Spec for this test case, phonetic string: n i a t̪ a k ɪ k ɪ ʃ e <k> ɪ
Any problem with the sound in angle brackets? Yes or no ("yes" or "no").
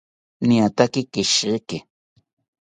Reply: no